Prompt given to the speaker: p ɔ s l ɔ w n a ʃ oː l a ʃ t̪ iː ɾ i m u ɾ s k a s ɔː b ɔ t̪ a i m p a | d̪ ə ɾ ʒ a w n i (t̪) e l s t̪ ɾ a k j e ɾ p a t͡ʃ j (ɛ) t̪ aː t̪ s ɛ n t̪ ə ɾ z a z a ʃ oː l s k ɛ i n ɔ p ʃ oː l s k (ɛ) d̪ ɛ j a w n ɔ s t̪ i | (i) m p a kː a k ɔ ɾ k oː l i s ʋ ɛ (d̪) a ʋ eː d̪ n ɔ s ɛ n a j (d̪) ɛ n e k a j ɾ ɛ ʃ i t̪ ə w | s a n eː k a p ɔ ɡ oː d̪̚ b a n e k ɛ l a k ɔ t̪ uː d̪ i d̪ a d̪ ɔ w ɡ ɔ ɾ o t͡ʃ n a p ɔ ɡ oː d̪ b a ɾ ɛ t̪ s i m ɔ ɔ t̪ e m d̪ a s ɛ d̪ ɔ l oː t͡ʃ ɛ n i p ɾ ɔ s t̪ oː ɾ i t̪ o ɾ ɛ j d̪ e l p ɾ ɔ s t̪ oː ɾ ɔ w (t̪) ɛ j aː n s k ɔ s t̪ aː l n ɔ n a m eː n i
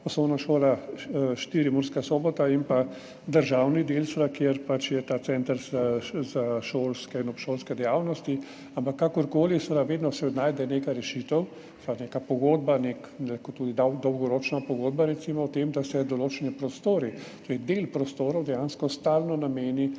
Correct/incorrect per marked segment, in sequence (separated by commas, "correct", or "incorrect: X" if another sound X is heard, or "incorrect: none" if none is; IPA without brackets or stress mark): incorrect: d̪, correct, correct, incorrect: a, correct, correct, incorrect: d̪